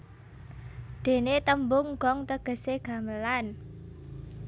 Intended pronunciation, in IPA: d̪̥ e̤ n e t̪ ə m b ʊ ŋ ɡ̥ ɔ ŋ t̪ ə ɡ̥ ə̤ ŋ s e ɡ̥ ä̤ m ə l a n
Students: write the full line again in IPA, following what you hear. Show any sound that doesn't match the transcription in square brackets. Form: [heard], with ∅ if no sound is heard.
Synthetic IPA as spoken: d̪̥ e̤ n e t̪ ə m b ʊ ŋ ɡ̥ ɔ ŋ t̪ ə ɡ̥ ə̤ [∅] s e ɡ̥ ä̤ m ə l a n